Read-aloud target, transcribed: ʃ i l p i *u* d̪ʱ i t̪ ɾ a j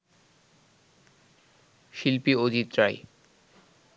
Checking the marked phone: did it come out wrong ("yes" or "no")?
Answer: yes